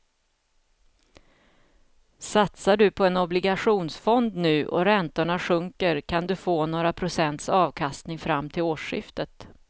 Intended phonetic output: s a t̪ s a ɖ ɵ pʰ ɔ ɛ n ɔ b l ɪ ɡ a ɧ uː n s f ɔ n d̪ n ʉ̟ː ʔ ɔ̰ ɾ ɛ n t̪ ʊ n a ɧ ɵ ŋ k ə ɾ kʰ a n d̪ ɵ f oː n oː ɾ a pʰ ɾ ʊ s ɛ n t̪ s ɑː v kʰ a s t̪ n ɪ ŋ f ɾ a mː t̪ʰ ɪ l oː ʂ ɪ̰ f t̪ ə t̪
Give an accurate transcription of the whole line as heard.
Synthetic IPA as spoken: s a t̪ s a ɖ ɵ pʰ ɔ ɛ n ɔ b l ɪ ɡ a ɧ uː n s f ɔ n d̪ n ʉ̟ː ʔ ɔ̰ ɾ ɛ n t̪ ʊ ɳ a ɧ ɵ ŋ k ə ɾ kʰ a n d̪ ɵ f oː n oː ɾ a pʰ ɾ ʊ s ɛ n t̪ s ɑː v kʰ a s t̪ n ɪ ŋ f ɾ a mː t̪ʰ ɪ l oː ʂ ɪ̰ f t̪ ə t̪